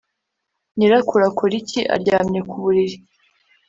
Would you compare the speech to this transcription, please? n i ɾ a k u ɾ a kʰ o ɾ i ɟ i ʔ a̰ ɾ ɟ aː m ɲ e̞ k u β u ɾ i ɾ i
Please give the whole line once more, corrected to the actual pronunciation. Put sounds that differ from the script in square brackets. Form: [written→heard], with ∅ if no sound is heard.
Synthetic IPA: n i ɾ a k u ɾ a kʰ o ɾ i [ɟ→c] i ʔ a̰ ɾ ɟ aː m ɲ e̞ k u β u ɾ i ɾ i